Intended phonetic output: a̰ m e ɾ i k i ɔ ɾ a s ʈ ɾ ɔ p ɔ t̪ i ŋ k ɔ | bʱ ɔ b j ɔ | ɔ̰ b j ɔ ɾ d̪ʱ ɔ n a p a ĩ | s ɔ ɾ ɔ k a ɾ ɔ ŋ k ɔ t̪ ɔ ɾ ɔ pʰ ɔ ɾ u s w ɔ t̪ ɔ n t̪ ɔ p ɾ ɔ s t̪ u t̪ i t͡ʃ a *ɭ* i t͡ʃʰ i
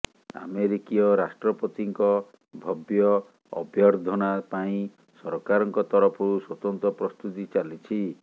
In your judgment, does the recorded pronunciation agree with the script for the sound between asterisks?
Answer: no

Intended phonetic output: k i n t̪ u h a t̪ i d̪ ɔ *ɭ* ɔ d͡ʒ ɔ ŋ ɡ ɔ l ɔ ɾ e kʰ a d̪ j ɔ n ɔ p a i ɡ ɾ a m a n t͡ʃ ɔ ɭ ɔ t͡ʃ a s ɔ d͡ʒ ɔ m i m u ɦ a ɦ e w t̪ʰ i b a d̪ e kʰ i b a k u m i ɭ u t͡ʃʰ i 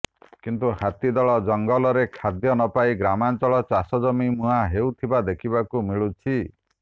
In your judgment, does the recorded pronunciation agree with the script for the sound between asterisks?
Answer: yes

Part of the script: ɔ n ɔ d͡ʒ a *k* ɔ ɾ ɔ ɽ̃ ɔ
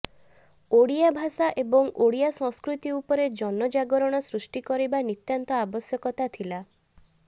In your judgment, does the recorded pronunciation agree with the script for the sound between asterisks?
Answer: no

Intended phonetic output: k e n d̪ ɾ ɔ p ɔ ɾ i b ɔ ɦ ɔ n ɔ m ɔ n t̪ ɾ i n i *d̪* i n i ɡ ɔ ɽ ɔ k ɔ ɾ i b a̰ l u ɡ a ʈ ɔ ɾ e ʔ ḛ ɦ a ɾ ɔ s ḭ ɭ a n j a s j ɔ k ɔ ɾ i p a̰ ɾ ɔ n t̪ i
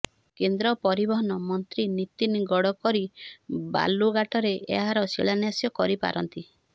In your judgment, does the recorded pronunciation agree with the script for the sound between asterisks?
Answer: no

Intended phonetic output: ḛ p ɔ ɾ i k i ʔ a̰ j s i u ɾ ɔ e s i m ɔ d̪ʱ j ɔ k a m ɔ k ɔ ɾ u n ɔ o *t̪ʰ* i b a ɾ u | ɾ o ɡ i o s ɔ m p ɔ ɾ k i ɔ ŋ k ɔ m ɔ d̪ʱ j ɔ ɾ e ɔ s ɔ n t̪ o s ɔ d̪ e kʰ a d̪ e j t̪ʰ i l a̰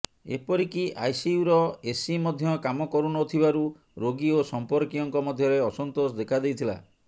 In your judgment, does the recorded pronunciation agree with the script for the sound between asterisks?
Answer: yes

